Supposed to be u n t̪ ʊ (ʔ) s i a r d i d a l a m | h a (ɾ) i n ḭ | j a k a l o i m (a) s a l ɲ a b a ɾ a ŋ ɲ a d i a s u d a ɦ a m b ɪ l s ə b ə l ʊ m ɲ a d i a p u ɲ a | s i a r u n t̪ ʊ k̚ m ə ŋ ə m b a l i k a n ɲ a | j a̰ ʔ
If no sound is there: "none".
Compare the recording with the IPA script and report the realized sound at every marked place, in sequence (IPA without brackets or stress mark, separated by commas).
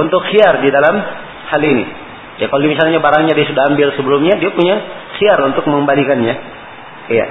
k, l, i